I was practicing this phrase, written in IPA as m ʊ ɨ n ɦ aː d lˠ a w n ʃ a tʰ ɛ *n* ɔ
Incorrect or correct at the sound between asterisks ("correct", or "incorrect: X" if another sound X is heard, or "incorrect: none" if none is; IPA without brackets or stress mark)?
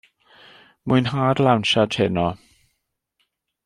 correct